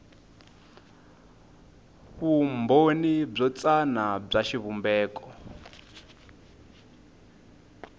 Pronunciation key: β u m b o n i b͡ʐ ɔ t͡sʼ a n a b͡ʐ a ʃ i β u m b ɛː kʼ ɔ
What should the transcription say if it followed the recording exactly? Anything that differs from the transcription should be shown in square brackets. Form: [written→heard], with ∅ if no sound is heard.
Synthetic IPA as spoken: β u m b o n i b͡ʐ ɔ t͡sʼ a n a b͡ʐ a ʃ i β u m b ɛː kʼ ɔ